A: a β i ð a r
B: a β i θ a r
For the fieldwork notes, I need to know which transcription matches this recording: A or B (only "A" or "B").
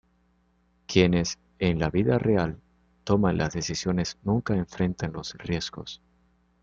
A